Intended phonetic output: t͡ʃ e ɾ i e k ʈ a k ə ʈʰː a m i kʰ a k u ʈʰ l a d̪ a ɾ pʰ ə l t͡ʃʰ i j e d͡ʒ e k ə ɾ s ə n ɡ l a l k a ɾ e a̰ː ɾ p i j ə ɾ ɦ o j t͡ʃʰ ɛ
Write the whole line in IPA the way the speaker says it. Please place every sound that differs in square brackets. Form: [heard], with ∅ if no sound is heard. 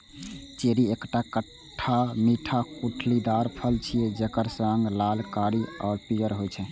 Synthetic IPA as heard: t͡ʃ e ɾ i e k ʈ a k ə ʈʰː a m i [ʈʰ] a k u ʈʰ l [i] d̪ a ɾ pʰ ə l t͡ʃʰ i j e d͡ʒ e k ə ɾ s ə [ŋ] ɡ l a l k a ɾ [i] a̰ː ɾ p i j ə ɾ ɦ o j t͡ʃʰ ɛ

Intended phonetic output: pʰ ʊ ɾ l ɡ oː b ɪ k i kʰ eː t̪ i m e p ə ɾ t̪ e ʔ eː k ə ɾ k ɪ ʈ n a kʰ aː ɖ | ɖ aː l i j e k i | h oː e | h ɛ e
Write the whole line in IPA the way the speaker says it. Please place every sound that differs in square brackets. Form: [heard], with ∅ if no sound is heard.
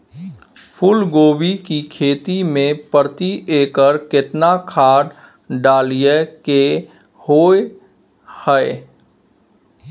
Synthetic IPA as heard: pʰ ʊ [∅] l ɡ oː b [i] k i kʰ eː t̪ i m [ẽ] p ə ɾ t̪ [i] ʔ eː k ə ɾ k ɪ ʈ n a kʰ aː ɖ | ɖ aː l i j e k [e] | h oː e | h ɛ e

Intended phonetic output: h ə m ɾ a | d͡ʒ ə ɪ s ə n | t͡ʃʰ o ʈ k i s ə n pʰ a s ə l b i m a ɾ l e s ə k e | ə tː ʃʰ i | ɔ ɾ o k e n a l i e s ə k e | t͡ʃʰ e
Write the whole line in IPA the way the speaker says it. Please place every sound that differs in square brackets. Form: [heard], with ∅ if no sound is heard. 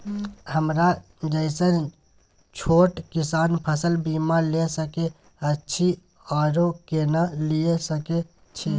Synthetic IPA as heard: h ə m ɾ a | d͡ʒ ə ɪ s ə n | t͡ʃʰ o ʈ k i s [a] n pʰ [ə] s ə l b i m a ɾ l e s ə k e | ə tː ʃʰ i | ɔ ɾ o k e n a l i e s ə k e | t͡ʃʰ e

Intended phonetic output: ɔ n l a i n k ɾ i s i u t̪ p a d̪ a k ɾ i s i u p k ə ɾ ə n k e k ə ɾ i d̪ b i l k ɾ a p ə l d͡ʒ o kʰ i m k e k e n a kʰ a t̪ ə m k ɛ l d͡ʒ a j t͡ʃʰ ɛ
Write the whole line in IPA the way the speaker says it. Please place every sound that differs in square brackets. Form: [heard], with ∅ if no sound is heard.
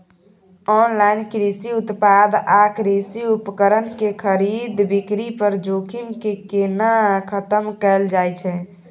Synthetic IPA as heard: ɔ n l a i n k ɾ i s i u t̪ p a d̪ a k ɾ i s i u p k ə ɾ ə n k e [kʰ] ə ɾ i d̪ b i [∅] k ɾ [i] p ə [ɾ] d͡ʒ o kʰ i m k e k e n a kʰ [ə] t̪ ə m k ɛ l d͡ʒ a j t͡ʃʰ ɛ

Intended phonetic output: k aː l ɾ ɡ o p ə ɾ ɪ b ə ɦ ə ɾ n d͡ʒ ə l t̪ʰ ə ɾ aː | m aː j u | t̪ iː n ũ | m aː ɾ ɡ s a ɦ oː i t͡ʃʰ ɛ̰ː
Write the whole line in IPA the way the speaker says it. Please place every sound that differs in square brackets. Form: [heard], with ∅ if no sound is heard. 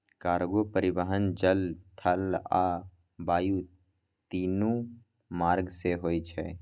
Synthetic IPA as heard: k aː [∅] ɾ ɡ o p ə ɾ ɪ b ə ɦ ə [∅] n d͡ʒ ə l t̪ʰ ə [l] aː | [b] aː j u | t̪ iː n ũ | m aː ɾ ɡ s [e] ɦ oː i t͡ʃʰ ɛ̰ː

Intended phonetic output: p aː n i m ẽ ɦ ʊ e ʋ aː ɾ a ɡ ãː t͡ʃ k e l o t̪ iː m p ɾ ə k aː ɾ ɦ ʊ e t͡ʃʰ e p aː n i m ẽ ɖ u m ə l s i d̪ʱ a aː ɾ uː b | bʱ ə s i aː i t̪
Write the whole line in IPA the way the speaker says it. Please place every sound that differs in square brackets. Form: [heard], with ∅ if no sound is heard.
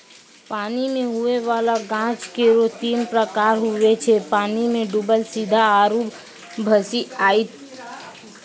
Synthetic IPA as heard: p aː n i m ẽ ɦ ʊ e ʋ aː [l] a ɡ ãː t͡ʃ k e [ɾ] o t̪ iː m p ɾ ə k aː ɾ ɦ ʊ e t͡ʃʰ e p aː n i m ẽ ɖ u [b] ə l s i d̪ʱ a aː ɾ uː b | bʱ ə s i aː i t̪

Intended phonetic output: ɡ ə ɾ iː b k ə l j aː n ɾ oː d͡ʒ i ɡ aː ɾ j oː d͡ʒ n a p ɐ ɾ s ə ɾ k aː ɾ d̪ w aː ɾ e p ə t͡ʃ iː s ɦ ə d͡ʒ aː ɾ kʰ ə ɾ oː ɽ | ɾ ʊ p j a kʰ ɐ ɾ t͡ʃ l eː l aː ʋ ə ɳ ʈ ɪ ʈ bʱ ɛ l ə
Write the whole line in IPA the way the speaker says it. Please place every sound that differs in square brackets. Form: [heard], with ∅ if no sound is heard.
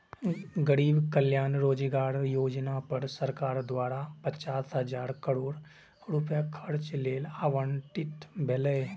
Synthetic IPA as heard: ɡ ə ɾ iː b k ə l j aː n ɾ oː d͡ʒ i ɡ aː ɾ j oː d͡ʒ n a p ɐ ɾ s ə ɾ k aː ɾ d̪ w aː ɾ [a] p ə t͡ʃ [aː] s ɦ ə d͡ʒ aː ɾ [k] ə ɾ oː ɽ | ɾ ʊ p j a kʰ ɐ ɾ t͡ʃ l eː l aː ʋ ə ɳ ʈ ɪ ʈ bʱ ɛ l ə

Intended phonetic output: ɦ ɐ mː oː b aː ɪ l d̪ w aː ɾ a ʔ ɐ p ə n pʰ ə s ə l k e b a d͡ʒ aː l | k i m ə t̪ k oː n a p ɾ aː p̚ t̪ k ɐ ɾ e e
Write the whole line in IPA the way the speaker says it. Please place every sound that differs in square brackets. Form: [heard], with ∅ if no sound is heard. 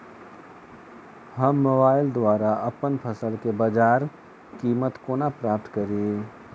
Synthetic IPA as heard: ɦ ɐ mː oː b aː ɪ l d̪ w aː ɾ a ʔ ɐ p ə n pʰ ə s ə l k e b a d͡ʒ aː [ɾ] | k [iː] m ə t̪ k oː n a p ɾ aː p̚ t̪ k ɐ ɾ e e

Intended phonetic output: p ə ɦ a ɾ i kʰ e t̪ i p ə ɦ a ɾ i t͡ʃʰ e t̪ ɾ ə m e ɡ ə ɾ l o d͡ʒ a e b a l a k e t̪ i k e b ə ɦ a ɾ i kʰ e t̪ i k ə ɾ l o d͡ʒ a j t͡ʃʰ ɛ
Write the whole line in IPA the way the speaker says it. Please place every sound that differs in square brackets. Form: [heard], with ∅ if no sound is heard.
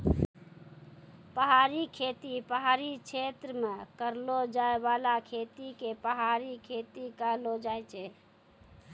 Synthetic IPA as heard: p ə ɦ a ɾ i kʰ e t̪ i p ə ɦ a ɾ i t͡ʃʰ e t̪ ɾ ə m e [k] ə ɾ l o d͡ʒ a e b a l a [kʰ] e t̪ i k e [p] ə ɦ a ɾ i kʰ e t̪ i k ə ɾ l o d͡ʒ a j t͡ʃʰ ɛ

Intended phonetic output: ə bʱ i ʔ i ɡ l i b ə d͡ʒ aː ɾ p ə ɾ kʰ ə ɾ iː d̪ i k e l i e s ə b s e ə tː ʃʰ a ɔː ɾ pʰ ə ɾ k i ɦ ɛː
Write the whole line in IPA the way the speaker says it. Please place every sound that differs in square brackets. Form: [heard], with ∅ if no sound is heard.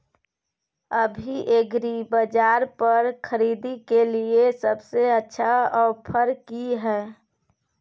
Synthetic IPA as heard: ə bʱ i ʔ [e] ɡ [ɾ] i b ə d͡ʒ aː ɾ p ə ɾ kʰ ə ɾ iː d̪ i k e l i e s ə b s e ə tː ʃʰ a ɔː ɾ pʰ ə ɾ k i ɦ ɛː

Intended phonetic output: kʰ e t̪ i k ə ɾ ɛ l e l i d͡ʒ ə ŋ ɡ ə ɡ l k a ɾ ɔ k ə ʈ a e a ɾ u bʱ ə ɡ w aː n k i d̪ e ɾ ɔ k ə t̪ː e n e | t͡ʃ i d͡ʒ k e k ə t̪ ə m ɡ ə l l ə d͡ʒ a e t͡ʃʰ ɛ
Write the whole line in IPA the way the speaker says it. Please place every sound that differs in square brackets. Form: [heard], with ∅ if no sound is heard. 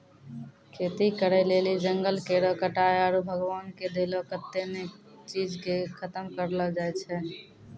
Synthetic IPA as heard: kʰ e t̪ i k ə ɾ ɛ l e l i d͡ʒ ə ŋ ɡ ə [∅] l k [e] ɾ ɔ k ə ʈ a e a ɾ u bʱ ə ɡ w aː n k [e] d̪ e [l] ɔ k ə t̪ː e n e | t͡ʃ i d͡ʒ k e [kʰ] ə t̪ ə m [k] ə [ɾ] l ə d͡ʒ a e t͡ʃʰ ɛ

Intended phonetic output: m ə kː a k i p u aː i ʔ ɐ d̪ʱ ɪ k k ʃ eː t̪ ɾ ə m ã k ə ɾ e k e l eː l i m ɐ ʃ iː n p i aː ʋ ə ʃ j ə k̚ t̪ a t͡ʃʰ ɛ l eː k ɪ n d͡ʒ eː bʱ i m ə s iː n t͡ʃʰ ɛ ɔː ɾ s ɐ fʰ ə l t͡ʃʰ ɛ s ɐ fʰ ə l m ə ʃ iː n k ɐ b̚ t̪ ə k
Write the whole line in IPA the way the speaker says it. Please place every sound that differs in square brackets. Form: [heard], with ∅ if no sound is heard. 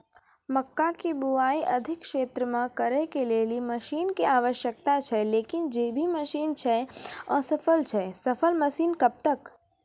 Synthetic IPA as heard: m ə kː a k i [b] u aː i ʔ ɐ d̪ʱ ɪ k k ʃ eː t̪ ɾ ə m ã k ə ɾ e k e l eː l i m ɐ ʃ iː n [k] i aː ʋ ə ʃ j ə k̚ t̪ a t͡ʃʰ ɛ l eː k ɪ n d͡ʒ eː bʱ i m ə [ʃ] iː n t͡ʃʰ ɛ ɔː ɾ s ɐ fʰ ə l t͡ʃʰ ɛ s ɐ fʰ ə l m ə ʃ iː n k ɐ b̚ t̪ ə k

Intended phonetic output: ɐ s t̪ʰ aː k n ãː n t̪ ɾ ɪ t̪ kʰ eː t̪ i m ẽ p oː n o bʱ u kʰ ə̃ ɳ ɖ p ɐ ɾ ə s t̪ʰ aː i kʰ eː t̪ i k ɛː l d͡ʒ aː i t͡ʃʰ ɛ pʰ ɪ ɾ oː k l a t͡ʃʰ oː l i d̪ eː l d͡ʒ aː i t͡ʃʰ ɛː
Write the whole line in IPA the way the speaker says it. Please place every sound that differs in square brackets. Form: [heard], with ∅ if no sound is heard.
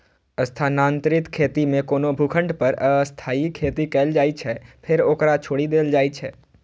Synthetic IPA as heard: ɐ s t̪ʰ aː [∅] n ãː n t̪ ɾ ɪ t̪ kʰ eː t̪ i m ẽ [k] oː n o bʱ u kʰ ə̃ ɳ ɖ p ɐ ɾ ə s t̪ʰ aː i kʰ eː t̪ i k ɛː l d͡ʒ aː i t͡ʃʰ ɛ pʰ ɪ ɾ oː k [ɾ] a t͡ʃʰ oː [ɽ] i d̪ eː l d͡ʒ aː i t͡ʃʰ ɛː

